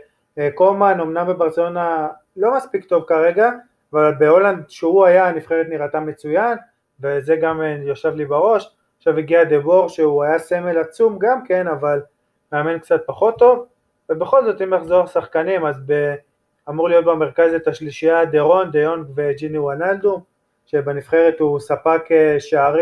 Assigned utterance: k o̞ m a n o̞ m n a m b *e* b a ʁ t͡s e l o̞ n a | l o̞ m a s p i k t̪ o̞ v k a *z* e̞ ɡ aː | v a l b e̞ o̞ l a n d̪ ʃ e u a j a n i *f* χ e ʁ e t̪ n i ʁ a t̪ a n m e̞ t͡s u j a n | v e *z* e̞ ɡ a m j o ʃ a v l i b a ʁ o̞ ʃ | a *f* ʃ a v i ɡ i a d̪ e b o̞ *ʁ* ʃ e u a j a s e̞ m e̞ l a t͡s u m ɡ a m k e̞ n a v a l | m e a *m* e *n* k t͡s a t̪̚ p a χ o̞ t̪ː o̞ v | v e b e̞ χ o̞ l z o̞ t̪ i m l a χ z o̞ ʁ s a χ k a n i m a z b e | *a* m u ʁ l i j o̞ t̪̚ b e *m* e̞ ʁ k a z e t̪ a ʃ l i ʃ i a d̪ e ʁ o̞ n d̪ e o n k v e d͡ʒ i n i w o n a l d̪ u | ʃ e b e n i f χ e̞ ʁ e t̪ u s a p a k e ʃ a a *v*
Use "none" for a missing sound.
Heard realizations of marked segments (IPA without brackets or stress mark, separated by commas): e, ʁ, f, z, χ, ʁ, m, n, a, m, ʁ